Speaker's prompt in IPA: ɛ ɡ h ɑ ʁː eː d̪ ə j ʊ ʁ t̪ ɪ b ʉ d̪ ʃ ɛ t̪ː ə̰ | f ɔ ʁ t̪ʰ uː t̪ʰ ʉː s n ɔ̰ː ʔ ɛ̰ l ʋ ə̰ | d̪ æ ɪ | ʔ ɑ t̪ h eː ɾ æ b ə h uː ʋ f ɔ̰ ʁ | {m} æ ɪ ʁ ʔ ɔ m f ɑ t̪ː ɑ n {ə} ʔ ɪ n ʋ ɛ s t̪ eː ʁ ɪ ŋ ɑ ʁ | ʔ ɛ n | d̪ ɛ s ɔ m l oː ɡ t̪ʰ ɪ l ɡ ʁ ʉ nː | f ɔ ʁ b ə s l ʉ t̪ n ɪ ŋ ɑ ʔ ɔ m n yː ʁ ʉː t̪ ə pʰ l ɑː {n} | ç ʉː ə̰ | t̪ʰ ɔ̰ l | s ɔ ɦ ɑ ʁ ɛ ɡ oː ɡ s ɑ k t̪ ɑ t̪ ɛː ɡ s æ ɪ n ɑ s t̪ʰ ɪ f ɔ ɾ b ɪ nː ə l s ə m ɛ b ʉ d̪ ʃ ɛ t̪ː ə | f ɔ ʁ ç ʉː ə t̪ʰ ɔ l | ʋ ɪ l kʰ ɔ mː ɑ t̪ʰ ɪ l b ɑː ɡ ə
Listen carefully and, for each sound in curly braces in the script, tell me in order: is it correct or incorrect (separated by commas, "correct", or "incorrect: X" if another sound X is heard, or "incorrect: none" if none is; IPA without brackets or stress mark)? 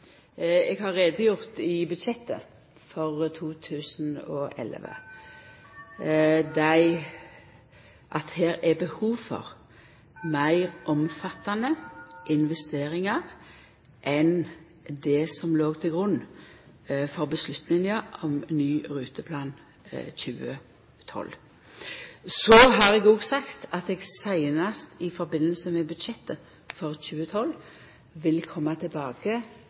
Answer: correct, correct, correct